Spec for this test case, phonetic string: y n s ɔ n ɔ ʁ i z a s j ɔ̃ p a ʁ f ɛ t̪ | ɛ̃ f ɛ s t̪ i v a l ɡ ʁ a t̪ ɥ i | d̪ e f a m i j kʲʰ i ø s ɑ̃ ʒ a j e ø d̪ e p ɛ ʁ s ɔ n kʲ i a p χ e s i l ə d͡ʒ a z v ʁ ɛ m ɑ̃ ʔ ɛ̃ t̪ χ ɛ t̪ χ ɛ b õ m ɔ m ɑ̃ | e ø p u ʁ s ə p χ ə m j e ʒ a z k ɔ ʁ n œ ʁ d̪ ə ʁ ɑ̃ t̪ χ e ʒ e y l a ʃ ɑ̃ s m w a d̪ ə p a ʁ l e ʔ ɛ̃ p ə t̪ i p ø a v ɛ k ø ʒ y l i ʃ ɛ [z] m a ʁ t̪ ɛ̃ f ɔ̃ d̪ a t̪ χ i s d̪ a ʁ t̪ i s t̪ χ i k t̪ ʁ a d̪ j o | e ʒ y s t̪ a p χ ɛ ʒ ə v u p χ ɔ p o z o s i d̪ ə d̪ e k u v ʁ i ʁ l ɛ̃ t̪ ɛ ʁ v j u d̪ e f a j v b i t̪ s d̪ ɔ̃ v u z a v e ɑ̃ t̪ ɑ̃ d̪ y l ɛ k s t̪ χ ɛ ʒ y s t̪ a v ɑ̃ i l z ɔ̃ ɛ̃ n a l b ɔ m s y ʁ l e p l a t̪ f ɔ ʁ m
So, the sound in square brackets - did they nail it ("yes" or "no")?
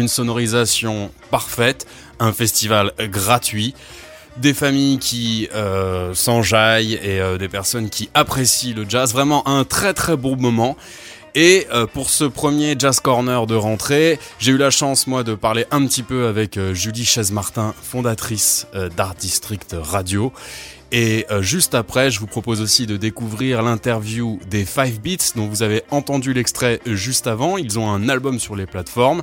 yes